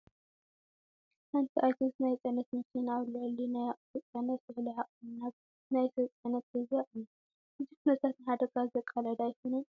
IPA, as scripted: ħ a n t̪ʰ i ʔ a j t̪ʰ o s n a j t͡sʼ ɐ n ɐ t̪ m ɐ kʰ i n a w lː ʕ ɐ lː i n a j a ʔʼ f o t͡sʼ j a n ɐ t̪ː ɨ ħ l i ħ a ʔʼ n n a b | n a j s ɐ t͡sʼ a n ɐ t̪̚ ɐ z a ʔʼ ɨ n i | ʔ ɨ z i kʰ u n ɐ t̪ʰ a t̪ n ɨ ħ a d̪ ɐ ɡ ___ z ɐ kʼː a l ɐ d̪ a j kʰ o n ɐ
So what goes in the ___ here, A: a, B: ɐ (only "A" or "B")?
A